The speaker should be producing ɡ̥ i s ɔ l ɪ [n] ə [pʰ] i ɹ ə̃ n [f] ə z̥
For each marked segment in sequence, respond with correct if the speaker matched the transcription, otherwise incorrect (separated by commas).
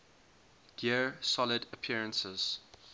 incorrect, correct, incorrect